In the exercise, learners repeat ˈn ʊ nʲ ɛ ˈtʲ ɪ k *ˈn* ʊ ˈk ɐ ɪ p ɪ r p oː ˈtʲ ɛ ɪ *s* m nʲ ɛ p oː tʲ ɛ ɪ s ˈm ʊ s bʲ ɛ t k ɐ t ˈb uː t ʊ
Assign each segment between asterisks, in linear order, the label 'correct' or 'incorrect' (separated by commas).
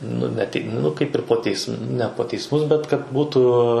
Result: correct, correct